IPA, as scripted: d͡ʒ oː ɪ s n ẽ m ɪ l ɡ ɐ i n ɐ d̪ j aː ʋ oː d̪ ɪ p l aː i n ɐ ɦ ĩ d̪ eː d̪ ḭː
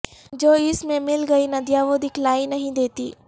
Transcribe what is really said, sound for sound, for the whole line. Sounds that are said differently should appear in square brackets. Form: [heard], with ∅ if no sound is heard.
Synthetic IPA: d͡ʒ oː ɪ s [m] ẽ m ɪ l ɡ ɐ i n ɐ d̪ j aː ʋ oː d̪ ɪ [k] l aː i n ɐ ɦ ĩ d̪ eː [t̪] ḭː